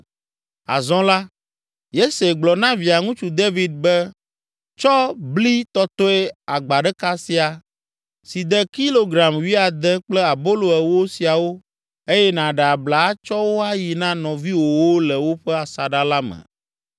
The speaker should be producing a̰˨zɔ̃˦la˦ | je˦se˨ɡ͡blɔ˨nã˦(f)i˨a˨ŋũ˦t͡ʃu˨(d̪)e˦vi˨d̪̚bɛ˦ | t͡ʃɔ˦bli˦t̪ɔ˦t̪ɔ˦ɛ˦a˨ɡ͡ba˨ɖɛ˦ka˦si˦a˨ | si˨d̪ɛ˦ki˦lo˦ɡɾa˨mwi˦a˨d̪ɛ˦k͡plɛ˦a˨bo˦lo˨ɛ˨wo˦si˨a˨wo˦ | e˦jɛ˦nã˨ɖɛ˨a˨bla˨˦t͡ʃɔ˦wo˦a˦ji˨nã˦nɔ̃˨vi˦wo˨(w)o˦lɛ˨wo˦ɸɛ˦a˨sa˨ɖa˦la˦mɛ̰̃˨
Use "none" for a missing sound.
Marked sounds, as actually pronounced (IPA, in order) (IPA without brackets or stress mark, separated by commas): v, d̪, w